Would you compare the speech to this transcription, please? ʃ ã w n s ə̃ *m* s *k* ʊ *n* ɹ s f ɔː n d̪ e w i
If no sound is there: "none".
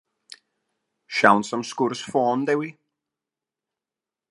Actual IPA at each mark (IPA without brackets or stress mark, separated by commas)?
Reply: m, k, none